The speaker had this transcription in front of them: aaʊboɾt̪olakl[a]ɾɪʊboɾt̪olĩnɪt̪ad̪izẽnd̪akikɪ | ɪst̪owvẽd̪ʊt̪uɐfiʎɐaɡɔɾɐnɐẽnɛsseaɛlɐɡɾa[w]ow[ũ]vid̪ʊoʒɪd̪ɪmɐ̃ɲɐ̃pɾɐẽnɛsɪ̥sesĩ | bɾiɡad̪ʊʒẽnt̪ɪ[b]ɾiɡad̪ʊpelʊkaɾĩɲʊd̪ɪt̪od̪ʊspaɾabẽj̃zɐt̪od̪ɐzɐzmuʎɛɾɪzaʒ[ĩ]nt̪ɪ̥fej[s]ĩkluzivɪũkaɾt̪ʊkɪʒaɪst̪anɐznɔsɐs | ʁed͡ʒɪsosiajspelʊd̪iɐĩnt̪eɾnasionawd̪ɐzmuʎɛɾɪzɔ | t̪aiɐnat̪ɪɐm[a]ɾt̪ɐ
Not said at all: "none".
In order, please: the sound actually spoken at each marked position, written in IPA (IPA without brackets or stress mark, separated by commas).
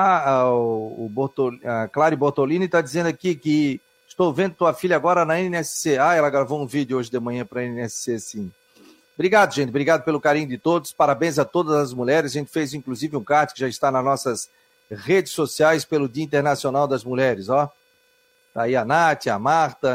a, v, ũ, b, ẽ, z, a